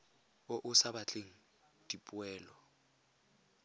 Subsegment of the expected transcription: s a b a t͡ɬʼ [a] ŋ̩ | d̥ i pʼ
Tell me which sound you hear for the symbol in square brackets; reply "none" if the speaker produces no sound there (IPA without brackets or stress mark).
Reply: e